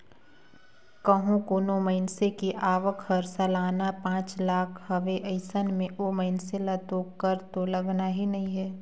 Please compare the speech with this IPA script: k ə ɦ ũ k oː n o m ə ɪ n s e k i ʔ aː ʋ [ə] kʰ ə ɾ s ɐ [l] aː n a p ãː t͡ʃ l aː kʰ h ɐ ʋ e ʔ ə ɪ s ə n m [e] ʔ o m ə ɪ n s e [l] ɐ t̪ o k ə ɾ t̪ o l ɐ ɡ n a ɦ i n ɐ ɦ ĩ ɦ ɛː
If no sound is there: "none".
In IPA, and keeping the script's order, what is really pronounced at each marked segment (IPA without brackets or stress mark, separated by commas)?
ə, l, ẽ, l